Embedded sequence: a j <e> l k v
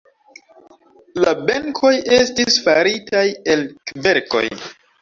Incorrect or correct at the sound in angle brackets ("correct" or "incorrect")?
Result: correct